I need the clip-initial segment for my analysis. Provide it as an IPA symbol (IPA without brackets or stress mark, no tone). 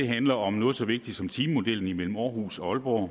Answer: e̝